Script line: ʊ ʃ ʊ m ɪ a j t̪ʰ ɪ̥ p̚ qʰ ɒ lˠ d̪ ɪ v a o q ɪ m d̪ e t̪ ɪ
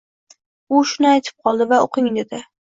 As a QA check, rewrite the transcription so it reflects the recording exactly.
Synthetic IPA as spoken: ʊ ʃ ʊ n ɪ a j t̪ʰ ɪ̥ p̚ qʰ ɒ lˠ d̪ ɪ v a o q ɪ ŋ d̪ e d̪ ɪ